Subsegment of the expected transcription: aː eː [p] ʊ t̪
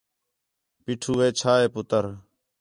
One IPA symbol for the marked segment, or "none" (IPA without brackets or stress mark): p